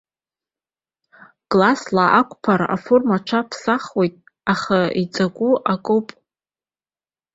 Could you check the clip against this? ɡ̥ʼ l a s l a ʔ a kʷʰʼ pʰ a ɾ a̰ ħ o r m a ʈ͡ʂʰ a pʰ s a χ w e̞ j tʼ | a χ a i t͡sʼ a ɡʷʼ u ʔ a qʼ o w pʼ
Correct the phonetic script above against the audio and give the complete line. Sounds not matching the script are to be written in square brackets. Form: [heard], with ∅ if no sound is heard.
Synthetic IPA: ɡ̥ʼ l a s l a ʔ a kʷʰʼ pʰ a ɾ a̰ [f] o r m a ʈ͡ʂʰ a pʰ s a χ w e̞ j tʼ | a χ a i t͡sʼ a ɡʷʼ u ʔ a [kʼ] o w pʼ